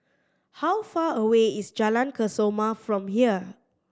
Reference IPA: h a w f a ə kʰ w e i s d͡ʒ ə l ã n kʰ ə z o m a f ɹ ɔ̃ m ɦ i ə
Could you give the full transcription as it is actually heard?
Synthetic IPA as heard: h a w f a ə w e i s d͡ʒ a l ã n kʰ ə s o m a f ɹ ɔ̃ m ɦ i ə